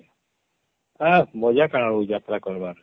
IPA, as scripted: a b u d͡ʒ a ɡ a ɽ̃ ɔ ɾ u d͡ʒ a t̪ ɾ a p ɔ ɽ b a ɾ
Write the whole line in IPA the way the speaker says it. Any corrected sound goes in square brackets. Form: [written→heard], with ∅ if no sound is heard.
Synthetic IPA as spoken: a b [u→ɔ] d͡ʒ a [ɡ→k] a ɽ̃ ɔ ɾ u d͡ʒ a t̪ ɾ a [p→k] ɔ [ɽ→ɾ] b a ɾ